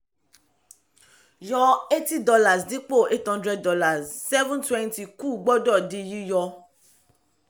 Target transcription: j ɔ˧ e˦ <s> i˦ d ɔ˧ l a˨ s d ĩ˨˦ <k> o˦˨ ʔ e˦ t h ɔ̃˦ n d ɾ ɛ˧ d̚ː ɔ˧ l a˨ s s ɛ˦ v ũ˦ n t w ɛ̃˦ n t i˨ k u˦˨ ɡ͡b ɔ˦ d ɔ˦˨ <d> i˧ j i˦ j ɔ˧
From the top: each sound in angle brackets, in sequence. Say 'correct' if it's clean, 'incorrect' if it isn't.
incorrect, incorrect, correct

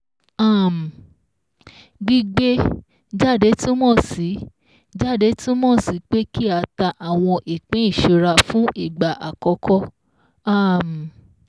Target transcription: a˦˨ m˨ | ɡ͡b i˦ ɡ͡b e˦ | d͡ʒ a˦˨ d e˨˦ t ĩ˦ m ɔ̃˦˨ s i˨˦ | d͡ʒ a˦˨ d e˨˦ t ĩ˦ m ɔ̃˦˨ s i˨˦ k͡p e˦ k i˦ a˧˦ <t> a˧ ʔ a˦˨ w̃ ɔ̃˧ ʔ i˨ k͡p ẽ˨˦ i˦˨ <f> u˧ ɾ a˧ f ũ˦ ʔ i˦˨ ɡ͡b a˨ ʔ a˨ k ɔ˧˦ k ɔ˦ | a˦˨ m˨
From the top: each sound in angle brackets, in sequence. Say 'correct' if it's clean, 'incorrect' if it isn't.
correct, incorrect

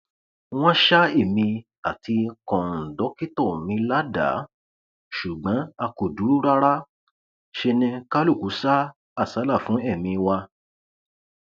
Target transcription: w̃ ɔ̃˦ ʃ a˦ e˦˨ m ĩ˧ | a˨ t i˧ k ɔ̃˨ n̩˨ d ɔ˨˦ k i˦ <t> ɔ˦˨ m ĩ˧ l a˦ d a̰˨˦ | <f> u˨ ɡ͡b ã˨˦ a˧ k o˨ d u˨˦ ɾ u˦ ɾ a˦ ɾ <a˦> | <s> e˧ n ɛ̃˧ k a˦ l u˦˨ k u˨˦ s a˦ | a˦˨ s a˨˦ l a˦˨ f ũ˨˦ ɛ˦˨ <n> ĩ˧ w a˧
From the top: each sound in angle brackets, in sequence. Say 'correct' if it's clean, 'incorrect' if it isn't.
correct, incorrect, correct, incorrect, incorrect

